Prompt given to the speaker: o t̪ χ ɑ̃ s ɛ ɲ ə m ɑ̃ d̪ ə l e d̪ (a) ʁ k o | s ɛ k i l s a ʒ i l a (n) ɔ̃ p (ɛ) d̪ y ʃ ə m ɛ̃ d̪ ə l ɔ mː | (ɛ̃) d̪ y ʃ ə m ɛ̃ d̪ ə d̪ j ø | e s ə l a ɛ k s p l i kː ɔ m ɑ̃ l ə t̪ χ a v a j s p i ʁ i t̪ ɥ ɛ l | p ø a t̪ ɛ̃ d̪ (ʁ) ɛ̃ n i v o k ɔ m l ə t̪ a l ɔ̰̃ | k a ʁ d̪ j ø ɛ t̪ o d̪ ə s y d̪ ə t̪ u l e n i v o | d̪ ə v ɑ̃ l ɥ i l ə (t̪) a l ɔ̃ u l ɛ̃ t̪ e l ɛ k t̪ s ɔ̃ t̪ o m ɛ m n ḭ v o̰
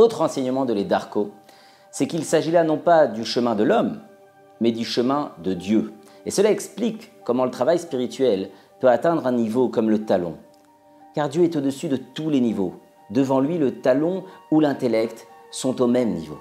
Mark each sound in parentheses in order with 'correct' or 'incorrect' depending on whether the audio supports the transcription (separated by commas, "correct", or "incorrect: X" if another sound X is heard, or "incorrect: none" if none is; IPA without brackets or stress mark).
correct, correct, incorrect: a, incorrect: ɛ, correct, correct